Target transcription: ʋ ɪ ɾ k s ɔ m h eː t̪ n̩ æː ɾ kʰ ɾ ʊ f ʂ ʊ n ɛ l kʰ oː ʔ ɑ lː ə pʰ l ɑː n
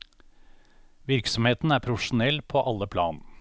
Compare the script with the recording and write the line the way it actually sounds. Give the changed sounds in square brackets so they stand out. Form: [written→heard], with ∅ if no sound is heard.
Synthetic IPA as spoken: ʋ ɪ ɾ k s ɔ m h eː t̪ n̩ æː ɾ [kʰ→pʰ] ɾ ʊ f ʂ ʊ n ɛ l [kʰ→pʰ] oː ʔ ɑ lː ə pʰ l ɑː n